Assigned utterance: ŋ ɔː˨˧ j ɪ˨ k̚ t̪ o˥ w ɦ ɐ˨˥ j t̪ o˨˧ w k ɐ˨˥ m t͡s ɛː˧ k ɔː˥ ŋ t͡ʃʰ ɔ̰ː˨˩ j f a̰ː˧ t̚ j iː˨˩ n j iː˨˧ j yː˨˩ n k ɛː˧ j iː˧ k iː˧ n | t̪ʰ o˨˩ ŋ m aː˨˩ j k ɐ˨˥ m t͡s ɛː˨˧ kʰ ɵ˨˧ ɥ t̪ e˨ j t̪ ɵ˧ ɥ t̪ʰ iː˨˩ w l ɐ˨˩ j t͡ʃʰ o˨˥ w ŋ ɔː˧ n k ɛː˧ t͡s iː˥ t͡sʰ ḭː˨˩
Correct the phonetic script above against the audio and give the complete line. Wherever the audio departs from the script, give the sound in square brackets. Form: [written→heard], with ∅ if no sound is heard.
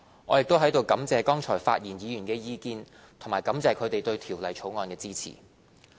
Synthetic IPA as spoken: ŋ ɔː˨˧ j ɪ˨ k̚ t̪ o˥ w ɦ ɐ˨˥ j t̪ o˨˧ w k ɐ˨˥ m t͡s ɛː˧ k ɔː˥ ŋ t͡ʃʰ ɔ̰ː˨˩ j f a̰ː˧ t̚ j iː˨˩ n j iː˨˧ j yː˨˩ n k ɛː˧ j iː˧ k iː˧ n | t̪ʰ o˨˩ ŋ m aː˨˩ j k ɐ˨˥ m t͡s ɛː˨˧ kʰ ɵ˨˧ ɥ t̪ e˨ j t̪ ɵ˧ ɥ t̪ʰ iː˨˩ w l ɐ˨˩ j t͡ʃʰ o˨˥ w ŋ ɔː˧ n k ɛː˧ t͡s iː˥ t͡sʰ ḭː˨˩